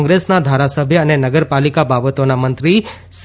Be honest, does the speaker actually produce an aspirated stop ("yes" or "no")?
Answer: no